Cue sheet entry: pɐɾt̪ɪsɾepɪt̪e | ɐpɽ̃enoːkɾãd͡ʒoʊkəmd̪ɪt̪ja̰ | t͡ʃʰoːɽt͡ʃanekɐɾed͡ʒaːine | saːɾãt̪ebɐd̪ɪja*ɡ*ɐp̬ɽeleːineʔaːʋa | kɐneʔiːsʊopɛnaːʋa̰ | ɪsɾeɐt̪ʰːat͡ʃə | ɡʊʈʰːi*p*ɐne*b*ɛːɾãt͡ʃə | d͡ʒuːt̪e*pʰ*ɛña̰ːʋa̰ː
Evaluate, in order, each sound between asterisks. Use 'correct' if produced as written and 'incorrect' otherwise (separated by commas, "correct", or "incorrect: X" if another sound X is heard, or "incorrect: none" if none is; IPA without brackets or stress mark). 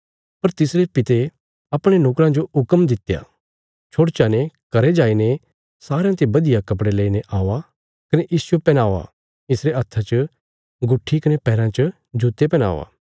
incorrect: k, incorrect: k, incorrect: p, incorrect: p